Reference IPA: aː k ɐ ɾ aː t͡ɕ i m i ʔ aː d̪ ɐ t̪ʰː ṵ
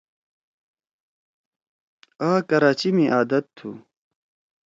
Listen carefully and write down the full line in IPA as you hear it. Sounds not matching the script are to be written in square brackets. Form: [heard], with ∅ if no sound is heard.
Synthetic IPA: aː k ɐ ɾ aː t͡ɕ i m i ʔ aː d̪ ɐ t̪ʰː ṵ